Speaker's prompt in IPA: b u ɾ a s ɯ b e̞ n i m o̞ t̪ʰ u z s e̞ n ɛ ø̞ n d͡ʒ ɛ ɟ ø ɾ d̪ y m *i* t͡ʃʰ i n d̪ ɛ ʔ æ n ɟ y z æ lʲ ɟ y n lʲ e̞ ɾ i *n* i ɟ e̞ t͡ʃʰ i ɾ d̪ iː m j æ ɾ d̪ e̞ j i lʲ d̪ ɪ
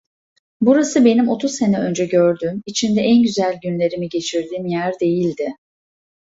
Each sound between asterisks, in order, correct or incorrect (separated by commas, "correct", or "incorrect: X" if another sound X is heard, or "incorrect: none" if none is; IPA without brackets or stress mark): correct, incorrect: m